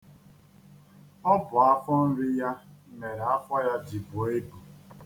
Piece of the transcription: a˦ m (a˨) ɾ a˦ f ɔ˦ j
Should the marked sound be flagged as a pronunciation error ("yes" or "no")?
yes